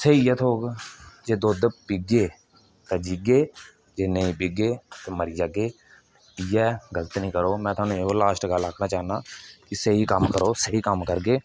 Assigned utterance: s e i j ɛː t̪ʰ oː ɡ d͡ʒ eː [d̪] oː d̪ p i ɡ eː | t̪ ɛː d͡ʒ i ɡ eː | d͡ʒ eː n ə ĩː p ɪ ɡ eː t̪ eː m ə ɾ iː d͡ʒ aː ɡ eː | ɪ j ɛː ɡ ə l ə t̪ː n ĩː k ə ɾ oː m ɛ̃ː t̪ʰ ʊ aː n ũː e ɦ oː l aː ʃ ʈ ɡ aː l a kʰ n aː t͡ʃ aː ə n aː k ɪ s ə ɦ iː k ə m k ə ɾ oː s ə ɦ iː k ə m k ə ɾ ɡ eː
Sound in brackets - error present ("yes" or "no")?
no